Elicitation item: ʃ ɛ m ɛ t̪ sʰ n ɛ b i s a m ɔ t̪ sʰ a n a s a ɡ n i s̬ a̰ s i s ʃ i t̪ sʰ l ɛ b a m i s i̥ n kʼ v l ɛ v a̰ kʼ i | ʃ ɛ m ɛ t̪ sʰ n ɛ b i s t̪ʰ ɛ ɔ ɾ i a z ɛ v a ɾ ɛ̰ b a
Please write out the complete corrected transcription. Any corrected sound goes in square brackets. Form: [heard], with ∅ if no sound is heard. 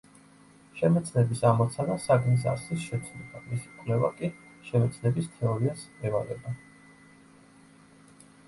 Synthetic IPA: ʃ ɛ m ɛ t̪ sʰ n ɛ b i s a m ɔ t̪ sʰ a n a s a ɡ n i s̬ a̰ s i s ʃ [ɛ] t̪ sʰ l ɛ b a m i s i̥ [∅] kʼ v l ɛ v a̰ kʼ i | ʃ ɛ m ɛ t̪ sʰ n ɛ b i s t̪ʰ ɛ ɔ ɾ i a [s] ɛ v a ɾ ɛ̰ b a

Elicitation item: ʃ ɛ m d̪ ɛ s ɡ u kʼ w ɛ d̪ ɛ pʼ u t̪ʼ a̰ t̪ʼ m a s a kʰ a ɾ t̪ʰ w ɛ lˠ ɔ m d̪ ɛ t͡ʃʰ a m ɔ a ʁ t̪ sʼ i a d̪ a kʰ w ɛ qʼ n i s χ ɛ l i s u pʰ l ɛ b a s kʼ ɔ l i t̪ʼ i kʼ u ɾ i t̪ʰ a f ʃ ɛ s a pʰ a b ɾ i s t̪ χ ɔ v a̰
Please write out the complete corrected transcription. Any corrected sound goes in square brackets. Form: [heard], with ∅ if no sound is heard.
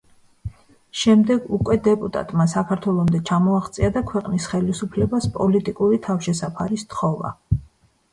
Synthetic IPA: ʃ ɛ m d̪ ɛ [∅] ɡ u kʼ w ɛ d̪ ɛ pʼ u t̪ʼ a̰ t̪ʼ m a s a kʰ a ɾ t̪ʰ w ɛ lˠ ɔ m d̪ ɛ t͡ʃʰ a m ɔ a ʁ t̪ sʼ i a d̪ a kʰ w ɛ qʼ n i s χ ɛ l i s u pʰ l ɛ b a s [pʼ] ɔ l i t̪ʼ i kʼ u ɾ i t̪ʰ a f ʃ ɛ s a pʰ a [∅] ɾ i s t̪ χ ɔ v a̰

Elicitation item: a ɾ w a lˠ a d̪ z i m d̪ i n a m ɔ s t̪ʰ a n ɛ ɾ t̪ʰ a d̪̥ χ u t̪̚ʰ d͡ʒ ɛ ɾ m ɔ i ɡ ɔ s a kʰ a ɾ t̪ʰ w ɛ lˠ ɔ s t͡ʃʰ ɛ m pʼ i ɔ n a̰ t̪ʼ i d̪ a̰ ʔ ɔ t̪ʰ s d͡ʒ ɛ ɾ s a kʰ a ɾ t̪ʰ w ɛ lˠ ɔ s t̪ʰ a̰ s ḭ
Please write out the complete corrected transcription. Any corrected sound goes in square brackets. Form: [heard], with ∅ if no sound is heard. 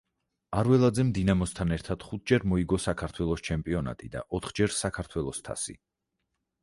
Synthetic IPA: a ɾ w [ɛ] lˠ a d̪ z [ɛ] m d̪ i n a m ɔ s t̪ʰ a n ɛ ɾ t̪ʰ a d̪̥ χ u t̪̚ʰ d͡ʒ ɛ ɾ m ɔ i ɡ ɔ s a kʰ a ɾ t̪ʰ w ɛ lˠ ɔ s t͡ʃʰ ɛ m pʼ i ɔ n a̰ t̪ʼ i d̪ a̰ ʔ ɔ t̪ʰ [χ] d͡ʒ ɛ ɾ s a kʰ a ɾ t̪ʰ w ɛ lˠ ɔ s t̪ʰ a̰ s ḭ

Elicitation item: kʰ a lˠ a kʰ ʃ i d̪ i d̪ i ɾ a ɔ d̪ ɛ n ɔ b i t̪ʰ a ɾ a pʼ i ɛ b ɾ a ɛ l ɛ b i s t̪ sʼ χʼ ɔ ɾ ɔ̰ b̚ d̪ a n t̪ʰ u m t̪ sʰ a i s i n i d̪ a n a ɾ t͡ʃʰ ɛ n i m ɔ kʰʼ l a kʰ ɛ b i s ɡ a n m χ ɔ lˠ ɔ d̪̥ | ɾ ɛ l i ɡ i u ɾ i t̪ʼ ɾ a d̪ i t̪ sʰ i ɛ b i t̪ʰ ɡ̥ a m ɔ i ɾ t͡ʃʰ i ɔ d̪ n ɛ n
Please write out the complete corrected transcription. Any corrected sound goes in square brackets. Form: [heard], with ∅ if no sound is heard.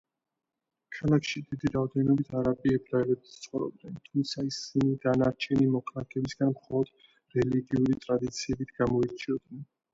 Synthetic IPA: kʰ a lˠ a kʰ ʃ i d̪ i d̪ i ɾ a ɔ d̪ ɛ n ɔ b i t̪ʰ a ɾ a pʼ i ɛ b ɾ a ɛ l ɛ b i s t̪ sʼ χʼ ɔ ɾ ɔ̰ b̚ d̪ [ɛ] n t̪ʰ u m t̪ sʰ a i s i n i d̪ a n a ɾ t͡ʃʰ ɛ n i m ɔ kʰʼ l a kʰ ɛ b i s ɡ a n m χ ɔ lˠ ɔ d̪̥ | ɾ ɛ l i ɡ i u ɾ i t̪ʼ ɾ a d̪ i t̪ sʰ i ɛ b i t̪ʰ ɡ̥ a m ɔ i ɾ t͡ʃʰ i ɔ d̪ n ɛ n

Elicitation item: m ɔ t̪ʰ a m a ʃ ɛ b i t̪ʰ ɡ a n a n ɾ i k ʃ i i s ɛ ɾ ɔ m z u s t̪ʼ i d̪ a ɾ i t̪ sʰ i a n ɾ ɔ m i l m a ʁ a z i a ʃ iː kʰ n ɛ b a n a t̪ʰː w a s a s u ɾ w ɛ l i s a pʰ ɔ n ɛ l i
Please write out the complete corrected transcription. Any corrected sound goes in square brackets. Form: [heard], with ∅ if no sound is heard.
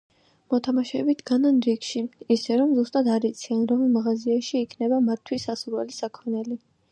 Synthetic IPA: m ɔ t̪ʰ a m a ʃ ɛ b i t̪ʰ ɡ a n a n ɾ i k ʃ i i s ɛ ɾ ɔ m z u s t̪ʼ [a] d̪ a ɾ i t̪ sʰ i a n ɾ ɔ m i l m a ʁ a z i a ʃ iː kʰ n ɛ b a [m] a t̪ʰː w [i] s a s u ɾ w ɛ l i s a [kʰ] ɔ n ɛ l i

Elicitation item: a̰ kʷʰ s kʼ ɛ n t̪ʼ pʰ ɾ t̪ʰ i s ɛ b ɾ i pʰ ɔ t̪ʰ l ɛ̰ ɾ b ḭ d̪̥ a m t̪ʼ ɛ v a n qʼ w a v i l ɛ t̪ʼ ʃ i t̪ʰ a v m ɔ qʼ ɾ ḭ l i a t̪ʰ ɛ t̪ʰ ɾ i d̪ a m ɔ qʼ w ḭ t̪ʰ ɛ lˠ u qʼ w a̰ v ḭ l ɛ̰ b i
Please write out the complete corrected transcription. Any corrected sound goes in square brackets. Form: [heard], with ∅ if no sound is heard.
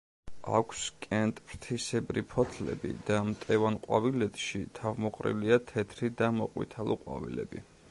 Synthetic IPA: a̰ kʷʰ s kʼ ɛ n t̪ʼ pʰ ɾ t̪ʰ i s ɛ b ɾ i pʰ ɔ t̪ʰ l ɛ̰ [∅] b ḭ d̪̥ a m t̪ʼ ɛ v a n qʼ w a v i l ɛ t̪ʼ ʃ i t̪ʰ a v m ɔ qʼ ɾ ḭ l i a t̪ʰ ɛ t̪ʰ ɾ i d̪ a m ɔ qʼ w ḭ t̪ʰ [a] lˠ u qʼ w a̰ v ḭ l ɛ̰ b i

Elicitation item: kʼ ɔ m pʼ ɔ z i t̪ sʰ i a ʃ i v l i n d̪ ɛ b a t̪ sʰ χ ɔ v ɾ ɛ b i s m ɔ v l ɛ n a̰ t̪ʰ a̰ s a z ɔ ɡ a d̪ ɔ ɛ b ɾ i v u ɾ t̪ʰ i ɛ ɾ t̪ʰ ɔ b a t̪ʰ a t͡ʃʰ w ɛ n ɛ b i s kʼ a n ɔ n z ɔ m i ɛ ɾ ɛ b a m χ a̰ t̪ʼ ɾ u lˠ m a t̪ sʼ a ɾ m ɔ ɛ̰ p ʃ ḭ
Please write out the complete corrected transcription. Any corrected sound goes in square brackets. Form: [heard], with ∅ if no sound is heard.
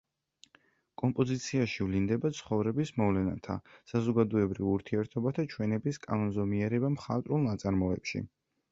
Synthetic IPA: kʼ ɔ m pʼ ɔ z i t̪ sʰ i a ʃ i v l i n d̪ ɛ b a t̪ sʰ χ ɔ v ɾ ɛ b i s m ɔ v l ɛ n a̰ t̪ʰ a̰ s a z ɔ ɡ a d̪ ɔ ɛ b ɾ i v u ɾ t̪ʰ i ɛ ɾ t̪ʰ ɔ b a t̪ʰ a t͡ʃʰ w ɛ n ɛ b i s kʼ a n ɔ n z ɔ m i ɛ ɾ ɛ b a m χ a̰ t̪ʼ ɾ u lˠ [n] a t̪ sʼ a ɾ m ɔ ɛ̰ p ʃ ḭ

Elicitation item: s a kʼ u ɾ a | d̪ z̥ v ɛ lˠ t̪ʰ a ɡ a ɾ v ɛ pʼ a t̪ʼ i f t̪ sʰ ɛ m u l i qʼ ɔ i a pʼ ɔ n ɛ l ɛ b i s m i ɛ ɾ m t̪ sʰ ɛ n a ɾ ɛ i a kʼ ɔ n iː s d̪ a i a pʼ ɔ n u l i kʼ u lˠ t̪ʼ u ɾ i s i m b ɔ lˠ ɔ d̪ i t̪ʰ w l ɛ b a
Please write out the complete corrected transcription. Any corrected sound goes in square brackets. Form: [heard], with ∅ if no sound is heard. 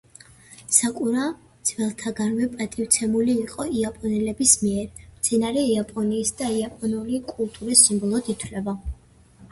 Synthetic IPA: s a kʼ u ɾ a | d̪ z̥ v ɛ lˠ t̪ʰ a ɡ a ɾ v ɛ pʼ a t̪ʼ i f t̪ sʰ ɛ m u l [iː] qʼ ɔ i a pʼ ɔ n ɛ l ɛ b i s m i ɛ ɾ m t̪ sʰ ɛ n a ɾ ɛ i a [pʼ] ɔ n iː s d̪ a i a pʼ ɔ n u l i kʼ u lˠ t̪ʼ u ɾ i s i m b ɔ lˠ ɔ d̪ i t̪ʰ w l ɛ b a

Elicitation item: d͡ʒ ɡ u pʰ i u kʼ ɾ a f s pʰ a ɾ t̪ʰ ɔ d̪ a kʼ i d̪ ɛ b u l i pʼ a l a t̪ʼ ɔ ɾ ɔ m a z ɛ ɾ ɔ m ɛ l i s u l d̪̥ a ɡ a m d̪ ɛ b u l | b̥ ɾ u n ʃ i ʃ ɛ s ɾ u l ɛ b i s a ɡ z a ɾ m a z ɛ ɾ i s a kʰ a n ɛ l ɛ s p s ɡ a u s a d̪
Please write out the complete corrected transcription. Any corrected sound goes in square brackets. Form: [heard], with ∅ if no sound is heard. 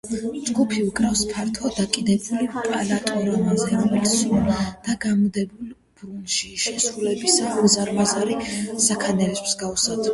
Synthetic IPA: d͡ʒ ɡ u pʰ i u kʼ ɾ a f s pʰ a ɾ t̪ʰ ɔ d̪ a kʼ i d̪ ɛ b u l i pʼ a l a t̪ʼ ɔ ɾ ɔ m a z ɛ ɾ ɔ m ɛ l i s u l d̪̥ a ɡ a m d̪ ɛ b u l | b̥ ɾ u n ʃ i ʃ ɛ s ɾ u l ɛ b i s a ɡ z a ɾ m a z [a] ɾ i s a kʰ a n ɛ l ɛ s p s ɡ a u s a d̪

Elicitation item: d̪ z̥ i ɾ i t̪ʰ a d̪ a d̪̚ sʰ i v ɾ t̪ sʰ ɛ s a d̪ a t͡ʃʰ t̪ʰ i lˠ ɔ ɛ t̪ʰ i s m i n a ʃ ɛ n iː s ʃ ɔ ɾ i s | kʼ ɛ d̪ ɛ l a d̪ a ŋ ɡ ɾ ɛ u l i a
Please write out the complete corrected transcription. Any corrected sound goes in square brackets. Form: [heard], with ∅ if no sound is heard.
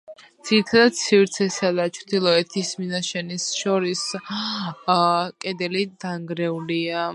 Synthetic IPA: d̪ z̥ i ɾ i t̪ʰ a d̪ a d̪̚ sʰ i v ɾ t̪ sʰ ɛ s a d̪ a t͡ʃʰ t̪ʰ i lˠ ɔ ɛ t̪ʰ i s m i n a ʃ ɛ n [i] s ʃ ɔ ɾ i s | kʼ ɛ d̪ ɛ l [i] d̪ a ŋ ɡ ɾ ɛ u l i a

